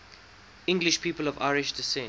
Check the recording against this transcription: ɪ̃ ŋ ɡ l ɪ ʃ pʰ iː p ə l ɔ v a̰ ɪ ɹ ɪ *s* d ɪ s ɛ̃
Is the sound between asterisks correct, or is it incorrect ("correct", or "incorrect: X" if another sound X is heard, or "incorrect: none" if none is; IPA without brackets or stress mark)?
incorrect: ʃ